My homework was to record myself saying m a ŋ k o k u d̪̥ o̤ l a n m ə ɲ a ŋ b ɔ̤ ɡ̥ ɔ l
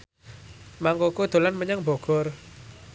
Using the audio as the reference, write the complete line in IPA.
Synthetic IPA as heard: m a ŋ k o k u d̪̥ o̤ l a n m ə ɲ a ŋ b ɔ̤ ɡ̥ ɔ r